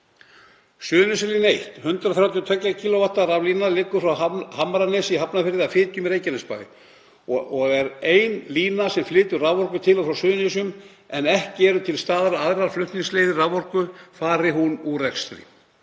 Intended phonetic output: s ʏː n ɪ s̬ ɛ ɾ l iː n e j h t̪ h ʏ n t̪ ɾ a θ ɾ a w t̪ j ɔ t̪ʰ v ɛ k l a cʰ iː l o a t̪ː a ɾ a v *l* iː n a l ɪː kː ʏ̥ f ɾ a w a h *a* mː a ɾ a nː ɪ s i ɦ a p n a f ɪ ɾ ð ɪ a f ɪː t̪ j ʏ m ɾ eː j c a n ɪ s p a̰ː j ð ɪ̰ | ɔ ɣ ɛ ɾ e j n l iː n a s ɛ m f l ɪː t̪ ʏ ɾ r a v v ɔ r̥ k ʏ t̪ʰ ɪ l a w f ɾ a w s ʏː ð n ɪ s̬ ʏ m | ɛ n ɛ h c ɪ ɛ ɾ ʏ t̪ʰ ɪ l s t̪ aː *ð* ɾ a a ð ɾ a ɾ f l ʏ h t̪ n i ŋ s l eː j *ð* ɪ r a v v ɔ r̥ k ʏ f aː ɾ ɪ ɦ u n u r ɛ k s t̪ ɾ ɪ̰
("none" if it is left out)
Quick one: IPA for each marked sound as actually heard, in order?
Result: l, a, ð, ð

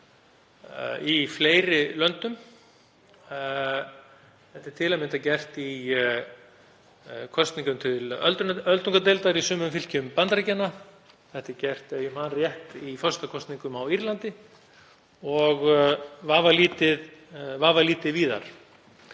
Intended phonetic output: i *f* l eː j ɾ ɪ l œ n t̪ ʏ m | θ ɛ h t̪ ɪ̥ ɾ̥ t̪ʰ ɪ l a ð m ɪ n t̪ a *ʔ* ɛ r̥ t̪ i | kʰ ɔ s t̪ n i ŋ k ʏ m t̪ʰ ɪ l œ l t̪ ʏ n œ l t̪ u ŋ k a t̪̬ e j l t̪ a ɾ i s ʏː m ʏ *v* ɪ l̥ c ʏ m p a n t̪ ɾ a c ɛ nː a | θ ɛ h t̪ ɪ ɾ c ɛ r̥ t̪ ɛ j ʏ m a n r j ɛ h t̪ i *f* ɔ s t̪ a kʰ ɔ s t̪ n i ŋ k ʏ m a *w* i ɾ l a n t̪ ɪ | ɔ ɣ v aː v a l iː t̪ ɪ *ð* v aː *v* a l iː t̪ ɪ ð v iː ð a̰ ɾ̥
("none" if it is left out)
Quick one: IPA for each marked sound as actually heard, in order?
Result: f, c, f, f, w, ð, v

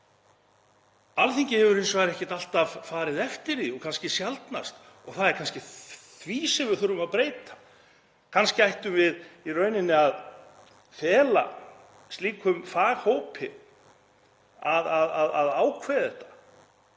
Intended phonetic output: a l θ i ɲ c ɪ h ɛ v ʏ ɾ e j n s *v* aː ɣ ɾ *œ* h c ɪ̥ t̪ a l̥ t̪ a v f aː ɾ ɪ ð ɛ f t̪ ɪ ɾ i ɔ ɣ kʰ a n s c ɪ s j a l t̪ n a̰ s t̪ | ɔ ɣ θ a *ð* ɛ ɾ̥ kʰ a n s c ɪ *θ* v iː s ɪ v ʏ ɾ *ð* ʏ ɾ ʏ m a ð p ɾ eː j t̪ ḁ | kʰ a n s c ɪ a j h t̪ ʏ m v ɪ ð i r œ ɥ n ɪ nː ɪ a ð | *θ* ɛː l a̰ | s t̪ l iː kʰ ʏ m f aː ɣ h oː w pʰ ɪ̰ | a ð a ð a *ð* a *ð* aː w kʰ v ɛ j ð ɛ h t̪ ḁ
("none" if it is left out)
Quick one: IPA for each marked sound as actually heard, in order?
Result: v, ɛ, ð, θ, θ, f, ð, ð

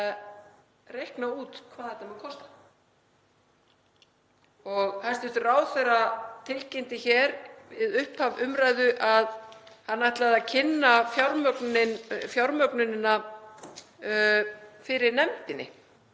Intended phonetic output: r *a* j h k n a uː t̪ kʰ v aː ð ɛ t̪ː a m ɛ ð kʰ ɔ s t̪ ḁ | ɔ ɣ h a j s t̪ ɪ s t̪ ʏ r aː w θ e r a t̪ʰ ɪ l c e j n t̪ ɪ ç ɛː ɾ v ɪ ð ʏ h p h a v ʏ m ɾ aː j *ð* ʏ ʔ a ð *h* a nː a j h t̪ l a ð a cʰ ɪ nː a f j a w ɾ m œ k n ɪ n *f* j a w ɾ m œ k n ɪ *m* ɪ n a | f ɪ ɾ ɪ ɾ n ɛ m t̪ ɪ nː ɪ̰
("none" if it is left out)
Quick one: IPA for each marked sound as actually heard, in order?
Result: e, ð, h, f, n

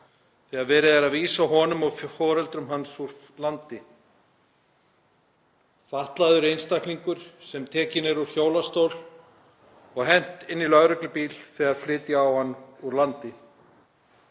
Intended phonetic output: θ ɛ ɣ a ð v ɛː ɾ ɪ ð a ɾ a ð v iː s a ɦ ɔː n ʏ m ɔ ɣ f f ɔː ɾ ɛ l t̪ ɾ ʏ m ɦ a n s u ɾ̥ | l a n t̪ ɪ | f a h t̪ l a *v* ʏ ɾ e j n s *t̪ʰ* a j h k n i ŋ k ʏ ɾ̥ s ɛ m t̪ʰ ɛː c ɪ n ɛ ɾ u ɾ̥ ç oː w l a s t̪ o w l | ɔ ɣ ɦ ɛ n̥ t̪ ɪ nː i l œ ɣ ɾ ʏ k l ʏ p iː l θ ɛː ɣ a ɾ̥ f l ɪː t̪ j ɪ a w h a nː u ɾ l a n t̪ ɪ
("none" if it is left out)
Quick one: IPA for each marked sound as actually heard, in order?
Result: ð, t̪

